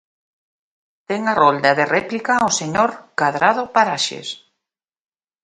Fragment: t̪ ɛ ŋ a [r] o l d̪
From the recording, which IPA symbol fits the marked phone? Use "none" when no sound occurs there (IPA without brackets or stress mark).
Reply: r